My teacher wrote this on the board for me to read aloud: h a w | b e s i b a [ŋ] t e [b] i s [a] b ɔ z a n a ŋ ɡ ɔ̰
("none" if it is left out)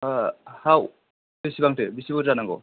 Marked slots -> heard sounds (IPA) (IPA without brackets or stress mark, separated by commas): ŋ, b, i